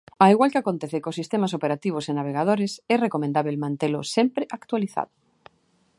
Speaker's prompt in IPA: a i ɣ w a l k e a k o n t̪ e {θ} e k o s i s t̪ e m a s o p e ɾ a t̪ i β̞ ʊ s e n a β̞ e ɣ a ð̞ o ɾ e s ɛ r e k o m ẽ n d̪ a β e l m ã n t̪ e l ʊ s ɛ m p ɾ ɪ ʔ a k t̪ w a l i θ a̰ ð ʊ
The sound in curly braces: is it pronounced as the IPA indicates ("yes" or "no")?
yes